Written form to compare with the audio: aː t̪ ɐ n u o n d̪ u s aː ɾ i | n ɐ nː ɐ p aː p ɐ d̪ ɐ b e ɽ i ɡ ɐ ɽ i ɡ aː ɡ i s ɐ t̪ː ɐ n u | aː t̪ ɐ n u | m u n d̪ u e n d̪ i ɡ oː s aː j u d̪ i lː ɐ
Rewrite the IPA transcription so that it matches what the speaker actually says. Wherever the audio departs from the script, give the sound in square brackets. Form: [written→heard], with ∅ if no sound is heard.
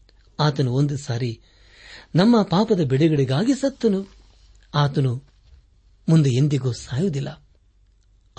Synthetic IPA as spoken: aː t̪ ɐ n u o n d̪ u s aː ɾ i | n ɐ [nː→mː] ɐ p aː p ɐ d̪ ɐ b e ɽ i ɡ ɐ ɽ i ɡ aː ɡ i s ɐ t̪ː ɐ n u | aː t̪ ɐ n u | m u n d̪ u e n d̪ i ɡ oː s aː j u d̪ i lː ɐ